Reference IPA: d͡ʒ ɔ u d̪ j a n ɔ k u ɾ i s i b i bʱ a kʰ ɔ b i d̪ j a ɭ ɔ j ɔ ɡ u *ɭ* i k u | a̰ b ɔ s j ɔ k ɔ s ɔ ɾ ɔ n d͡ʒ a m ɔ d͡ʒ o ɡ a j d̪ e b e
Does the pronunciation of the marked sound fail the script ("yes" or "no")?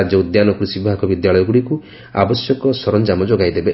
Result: yes